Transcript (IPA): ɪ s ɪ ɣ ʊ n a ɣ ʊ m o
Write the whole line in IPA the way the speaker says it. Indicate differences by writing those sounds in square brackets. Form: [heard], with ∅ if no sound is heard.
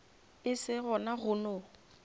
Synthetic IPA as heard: ɪ s ɪ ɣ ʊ n a ɣ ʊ [n] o